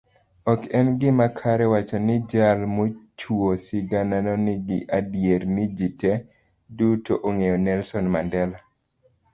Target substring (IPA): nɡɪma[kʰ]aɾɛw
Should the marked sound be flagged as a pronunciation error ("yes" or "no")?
no